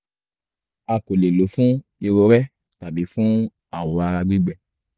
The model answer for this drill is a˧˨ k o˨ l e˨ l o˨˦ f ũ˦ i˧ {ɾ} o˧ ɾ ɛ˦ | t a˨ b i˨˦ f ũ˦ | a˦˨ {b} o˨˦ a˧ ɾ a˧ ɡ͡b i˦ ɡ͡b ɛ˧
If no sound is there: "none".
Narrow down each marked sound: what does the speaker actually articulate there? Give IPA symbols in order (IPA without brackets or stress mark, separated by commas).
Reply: ɾ, w